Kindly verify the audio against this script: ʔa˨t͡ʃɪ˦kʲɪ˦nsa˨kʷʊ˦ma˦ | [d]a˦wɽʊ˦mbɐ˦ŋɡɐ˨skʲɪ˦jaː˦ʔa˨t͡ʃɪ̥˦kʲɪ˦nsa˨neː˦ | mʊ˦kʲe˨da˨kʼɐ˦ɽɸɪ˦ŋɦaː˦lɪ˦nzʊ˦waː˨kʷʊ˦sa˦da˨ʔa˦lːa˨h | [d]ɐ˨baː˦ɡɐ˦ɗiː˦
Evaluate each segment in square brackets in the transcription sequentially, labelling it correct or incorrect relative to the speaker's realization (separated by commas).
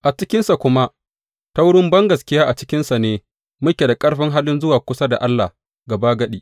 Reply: incorrect, incorrect